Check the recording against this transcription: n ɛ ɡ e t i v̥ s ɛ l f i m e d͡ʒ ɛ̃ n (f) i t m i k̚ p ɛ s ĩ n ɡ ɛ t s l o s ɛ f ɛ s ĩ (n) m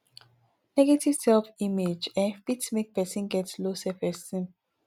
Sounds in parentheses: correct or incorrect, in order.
correct, incorrect

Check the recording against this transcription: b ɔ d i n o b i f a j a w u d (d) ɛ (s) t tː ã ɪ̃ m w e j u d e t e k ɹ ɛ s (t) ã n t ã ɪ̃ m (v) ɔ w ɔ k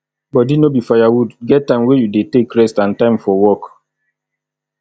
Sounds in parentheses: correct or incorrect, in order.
incorrect, incorrect, correct, incorrect

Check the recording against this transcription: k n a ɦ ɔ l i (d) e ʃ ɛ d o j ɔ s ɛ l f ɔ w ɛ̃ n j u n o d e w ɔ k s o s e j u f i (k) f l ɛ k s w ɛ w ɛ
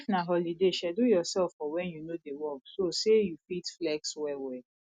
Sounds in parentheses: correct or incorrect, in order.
correct, incorrect

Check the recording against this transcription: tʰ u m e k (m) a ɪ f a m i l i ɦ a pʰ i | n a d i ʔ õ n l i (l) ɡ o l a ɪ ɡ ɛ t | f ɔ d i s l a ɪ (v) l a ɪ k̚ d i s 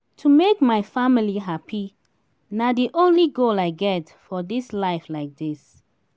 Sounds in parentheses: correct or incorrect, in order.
correct, incorrect, incorrect

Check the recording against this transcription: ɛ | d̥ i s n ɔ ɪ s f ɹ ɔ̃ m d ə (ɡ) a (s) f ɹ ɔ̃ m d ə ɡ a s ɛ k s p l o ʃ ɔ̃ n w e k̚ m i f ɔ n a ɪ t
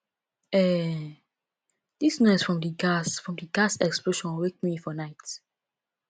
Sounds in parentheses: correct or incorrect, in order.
correct, correct

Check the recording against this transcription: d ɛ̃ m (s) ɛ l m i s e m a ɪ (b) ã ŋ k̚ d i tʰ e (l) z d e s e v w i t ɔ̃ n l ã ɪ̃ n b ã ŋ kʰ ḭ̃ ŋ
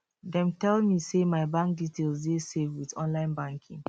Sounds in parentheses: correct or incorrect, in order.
incorrect, correct, correct

